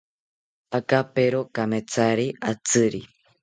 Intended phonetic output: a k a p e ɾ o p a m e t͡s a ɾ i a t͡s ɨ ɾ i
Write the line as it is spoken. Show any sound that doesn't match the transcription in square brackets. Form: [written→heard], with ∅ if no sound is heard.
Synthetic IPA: a k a p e ɾ o [p→k] a m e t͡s a ɾ i a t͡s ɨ ɾ i

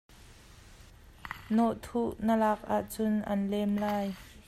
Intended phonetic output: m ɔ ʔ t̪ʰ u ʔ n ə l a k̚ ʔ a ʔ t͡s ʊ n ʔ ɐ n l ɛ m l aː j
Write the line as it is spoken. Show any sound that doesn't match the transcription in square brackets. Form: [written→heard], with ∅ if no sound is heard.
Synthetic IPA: [m→n] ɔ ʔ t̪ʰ u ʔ n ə l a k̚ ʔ a ʔ t͡s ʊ n ʔ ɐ n l ɛ m l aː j

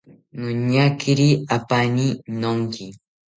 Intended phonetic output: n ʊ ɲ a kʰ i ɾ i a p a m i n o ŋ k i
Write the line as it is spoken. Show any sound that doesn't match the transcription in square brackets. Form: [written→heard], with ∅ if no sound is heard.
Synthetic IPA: n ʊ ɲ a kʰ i ɾ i a p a [m→n] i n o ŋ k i

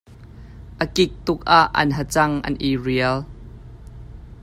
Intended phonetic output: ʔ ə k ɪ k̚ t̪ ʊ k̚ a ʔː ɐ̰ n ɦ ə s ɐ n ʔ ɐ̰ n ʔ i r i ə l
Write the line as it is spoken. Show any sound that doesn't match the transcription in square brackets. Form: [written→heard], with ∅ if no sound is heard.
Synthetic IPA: ʔ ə k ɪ k̚ t̪ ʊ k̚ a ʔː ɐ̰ n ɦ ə [s→t͡s] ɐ [n→ŋ] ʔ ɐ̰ n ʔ i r i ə l

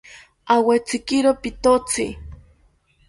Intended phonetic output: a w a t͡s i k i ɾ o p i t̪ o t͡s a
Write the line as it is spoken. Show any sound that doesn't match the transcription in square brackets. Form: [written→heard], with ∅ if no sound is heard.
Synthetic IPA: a w [a→e] t͡s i k i ɾ o p i t̪ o t͡s [a→i]

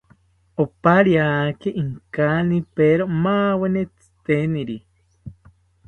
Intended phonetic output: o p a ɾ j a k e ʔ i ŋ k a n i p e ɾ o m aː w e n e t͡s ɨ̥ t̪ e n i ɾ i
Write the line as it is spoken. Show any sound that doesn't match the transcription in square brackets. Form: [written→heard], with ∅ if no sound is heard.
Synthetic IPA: o p a ɾ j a k e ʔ i ŋ k a n i p e ɾ o m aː w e n e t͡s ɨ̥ t̪ e n i ɾ i

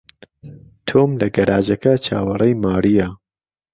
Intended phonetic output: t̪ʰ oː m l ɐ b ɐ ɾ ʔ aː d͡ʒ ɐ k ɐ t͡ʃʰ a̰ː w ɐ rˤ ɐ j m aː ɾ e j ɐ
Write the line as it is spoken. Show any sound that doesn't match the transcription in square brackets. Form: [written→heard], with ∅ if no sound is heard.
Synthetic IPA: t̪ʰ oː m l ɐ [b→ɡ] ɐ ɾ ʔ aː d͡ʒ ɐ k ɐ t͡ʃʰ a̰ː w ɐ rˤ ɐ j m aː ɾ [e→i] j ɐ

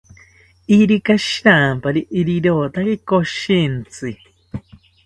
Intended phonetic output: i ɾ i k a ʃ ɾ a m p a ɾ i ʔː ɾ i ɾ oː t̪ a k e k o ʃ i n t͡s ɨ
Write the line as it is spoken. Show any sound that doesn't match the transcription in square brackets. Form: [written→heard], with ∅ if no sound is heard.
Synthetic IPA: i ɾ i k a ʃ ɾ a m p a ɾ i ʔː ɾ i ɾ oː t̪ a k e k o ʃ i n t͡s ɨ

